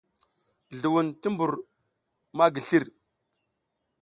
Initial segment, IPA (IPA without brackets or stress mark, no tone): ɮ